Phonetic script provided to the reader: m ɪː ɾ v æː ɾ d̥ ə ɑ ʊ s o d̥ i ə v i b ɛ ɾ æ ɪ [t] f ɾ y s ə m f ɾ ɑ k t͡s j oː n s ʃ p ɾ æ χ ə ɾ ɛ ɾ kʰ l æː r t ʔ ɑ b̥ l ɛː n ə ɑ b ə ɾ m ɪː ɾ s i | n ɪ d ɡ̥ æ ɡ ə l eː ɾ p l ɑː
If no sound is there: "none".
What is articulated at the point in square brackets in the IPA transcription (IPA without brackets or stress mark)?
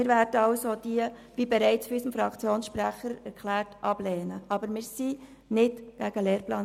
t͡s